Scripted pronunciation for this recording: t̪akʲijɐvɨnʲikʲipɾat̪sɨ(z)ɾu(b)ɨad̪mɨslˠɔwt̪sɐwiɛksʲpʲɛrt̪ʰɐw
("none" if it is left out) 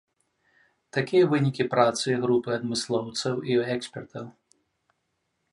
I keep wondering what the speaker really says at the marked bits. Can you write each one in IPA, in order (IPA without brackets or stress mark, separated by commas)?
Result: ɣ, p